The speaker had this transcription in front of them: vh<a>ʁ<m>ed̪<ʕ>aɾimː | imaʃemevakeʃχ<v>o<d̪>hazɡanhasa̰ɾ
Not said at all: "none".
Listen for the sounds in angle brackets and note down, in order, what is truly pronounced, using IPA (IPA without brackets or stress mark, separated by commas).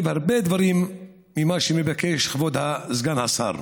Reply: a, b, v, v, d̪